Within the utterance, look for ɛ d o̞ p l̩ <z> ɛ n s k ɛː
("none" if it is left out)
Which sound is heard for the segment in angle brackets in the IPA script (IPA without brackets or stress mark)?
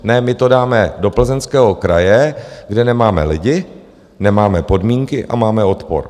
z